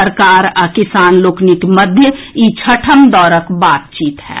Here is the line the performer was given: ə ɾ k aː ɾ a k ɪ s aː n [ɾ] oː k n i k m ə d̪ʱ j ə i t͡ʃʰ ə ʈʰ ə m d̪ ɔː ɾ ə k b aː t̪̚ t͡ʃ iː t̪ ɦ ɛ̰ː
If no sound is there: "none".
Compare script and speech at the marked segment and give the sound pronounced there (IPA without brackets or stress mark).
l